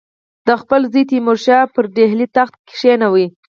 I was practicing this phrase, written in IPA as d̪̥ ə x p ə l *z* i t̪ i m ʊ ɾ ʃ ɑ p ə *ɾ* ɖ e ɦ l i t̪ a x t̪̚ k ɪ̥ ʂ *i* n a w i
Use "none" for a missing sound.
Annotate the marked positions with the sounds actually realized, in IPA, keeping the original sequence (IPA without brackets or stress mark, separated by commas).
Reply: z, ɾ, e